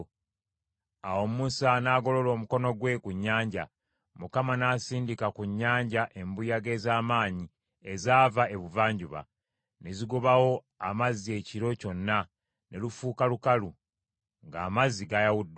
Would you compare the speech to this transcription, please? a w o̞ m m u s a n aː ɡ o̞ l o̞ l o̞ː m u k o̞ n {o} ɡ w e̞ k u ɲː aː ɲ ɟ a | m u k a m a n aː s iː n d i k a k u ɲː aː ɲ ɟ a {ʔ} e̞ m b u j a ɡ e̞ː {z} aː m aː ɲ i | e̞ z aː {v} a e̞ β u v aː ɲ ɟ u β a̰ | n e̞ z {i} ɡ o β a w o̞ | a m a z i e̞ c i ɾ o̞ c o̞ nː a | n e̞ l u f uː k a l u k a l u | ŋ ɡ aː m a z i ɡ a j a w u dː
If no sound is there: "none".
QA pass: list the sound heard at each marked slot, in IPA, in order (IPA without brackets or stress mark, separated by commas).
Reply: o, ʔ, z, v, i